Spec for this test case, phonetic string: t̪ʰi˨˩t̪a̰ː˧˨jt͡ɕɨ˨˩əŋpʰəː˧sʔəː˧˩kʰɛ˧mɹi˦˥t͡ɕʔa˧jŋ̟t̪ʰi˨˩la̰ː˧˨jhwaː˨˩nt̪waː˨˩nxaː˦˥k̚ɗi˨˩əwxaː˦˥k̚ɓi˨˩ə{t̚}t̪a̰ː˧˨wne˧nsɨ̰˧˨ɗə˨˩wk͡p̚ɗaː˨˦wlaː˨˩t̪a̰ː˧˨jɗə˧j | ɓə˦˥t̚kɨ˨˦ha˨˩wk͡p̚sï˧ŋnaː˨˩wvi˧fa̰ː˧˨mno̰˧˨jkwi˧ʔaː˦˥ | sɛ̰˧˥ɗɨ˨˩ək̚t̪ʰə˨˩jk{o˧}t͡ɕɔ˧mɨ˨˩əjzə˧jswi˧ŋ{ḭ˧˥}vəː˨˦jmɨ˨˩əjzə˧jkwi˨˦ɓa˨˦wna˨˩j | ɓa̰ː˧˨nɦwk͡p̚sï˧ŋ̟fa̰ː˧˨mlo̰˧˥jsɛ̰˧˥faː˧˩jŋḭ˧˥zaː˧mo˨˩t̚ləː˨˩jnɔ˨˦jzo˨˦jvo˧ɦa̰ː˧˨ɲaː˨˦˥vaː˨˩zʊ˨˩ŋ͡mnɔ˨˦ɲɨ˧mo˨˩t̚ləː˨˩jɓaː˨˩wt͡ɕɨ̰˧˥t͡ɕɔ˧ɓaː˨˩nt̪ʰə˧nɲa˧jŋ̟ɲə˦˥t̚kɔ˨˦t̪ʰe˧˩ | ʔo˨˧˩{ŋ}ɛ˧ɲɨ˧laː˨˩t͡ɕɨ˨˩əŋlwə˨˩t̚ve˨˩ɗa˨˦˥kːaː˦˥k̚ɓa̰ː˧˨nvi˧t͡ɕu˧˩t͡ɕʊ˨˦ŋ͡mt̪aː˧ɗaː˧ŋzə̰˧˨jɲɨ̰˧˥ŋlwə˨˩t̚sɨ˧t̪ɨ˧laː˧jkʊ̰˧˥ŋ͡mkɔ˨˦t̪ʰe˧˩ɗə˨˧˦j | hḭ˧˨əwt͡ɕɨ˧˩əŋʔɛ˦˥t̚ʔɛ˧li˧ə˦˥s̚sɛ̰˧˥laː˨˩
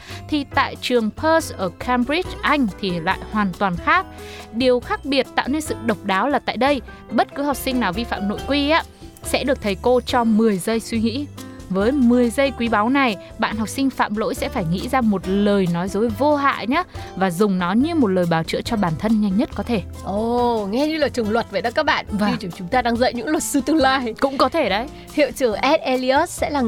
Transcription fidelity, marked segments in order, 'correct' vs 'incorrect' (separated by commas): correct, correct, correct, correct